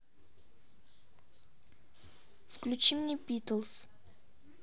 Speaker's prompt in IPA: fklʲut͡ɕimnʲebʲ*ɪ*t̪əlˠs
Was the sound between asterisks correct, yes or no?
no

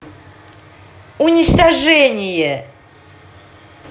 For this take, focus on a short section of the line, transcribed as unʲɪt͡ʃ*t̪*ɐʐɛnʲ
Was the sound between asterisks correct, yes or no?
yes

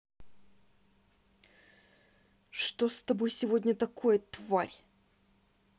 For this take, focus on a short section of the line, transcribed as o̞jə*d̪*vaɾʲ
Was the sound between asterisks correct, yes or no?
no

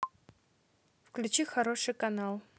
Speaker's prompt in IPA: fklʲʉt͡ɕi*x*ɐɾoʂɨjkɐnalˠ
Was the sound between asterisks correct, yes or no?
yes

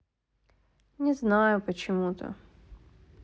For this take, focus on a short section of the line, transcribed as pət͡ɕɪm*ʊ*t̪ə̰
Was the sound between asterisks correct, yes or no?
no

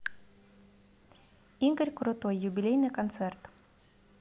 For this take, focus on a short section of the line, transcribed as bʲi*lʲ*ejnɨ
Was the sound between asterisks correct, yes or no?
yes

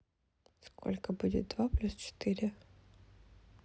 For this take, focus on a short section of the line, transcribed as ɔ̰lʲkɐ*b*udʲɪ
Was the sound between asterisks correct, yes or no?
yes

